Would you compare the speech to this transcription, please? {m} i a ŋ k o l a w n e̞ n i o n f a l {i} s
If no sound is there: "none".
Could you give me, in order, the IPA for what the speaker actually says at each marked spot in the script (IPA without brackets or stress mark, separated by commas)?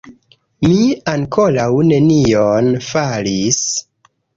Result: m, i